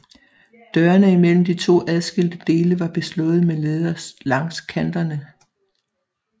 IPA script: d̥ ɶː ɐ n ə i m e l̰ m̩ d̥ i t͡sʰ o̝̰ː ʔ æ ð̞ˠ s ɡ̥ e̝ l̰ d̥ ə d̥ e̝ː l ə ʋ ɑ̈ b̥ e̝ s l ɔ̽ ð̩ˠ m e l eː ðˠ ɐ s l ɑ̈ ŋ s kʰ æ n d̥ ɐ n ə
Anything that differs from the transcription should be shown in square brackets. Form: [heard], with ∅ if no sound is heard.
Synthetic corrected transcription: d̥ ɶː ɐ n ə i m e l̰ m̩ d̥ i t͡sʰ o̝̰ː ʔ æ ð̞ˠ s ɡ̥ e̝ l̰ d̥ ə d̥ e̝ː l ə ʋ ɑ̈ b̥ e̝ s l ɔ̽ ð̩ˠ m e l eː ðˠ ɐ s l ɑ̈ ŋ s kʰ æ n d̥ ɐ n ə